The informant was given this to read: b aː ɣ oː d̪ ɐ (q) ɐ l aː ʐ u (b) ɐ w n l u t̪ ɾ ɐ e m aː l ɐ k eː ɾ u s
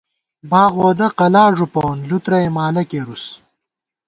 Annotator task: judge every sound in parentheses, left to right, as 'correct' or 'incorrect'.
correct, incorrect: p

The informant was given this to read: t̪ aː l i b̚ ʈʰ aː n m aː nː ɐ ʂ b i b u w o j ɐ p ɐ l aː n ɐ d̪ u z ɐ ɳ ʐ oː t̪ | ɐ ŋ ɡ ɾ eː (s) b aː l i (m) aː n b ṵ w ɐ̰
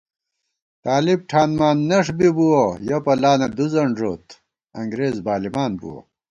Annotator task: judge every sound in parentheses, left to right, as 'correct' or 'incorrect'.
incorrect: z, correct

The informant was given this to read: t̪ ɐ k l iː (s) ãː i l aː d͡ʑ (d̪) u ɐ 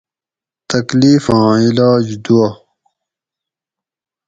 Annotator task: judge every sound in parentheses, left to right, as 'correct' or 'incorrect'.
incorrect: f, correct

